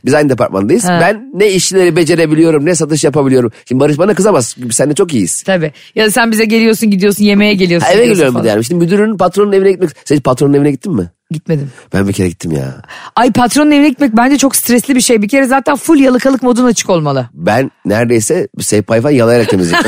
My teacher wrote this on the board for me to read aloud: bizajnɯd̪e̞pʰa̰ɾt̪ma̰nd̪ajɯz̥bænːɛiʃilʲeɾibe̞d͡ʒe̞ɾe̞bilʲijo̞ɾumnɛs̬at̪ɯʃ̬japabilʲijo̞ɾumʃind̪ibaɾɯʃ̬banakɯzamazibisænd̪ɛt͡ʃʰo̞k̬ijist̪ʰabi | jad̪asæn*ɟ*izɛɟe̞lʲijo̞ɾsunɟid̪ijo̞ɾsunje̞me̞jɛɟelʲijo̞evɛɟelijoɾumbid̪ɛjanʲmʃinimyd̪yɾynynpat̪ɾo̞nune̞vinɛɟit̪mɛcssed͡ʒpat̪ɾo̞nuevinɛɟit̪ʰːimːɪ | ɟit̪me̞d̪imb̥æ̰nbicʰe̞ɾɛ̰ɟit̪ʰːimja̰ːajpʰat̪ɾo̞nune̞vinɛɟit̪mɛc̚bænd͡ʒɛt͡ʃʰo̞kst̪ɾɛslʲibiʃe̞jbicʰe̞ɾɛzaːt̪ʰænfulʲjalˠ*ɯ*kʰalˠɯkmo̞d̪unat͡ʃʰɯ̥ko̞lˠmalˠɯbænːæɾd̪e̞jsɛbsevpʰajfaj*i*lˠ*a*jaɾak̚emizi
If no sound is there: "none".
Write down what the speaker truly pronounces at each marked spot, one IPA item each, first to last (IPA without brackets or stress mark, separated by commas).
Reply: b, ɯ, a, a